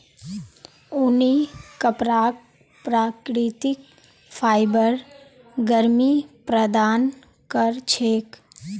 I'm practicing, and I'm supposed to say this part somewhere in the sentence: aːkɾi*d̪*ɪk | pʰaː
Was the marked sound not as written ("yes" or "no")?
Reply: yes